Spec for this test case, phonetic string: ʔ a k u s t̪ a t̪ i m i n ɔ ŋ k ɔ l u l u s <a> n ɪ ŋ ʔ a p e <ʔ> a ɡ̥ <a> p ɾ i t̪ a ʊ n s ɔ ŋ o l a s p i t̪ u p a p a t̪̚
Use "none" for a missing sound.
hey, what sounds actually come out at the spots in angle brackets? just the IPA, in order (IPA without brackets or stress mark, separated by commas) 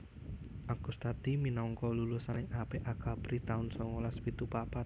a, ʔ, a